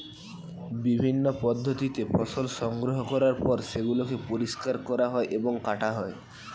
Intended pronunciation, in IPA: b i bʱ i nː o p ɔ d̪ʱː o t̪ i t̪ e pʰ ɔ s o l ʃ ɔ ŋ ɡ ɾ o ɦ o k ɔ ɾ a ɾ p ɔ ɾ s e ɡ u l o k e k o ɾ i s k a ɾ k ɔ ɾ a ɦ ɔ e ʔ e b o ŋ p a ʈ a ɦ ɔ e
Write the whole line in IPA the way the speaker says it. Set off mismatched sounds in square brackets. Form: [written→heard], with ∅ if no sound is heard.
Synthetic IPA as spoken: b i bʱ i nː o p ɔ d̪ʱː o t̪ i t̪ e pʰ ɔ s o l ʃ ɔ ŋ ɡ ɾ o ɦ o k ɔ ɾ a ɾ p ɔ ɾ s e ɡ u l o k e [k→p] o ɾ i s k a ɾ k ɔ ɾ a ɦ ɔ e ʔ e b o ŋ [p→k] a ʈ a ɦ ɔ e